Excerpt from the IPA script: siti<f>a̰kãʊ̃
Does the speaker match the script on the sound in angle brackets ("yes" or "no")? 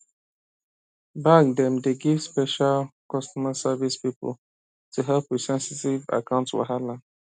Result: no